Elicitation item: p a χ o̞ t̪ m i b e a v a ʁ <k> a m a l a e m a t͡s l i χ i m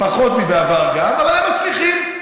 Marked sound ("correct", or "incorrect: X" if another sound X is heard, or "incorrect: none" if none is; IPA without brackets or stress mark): incorrect: ɡ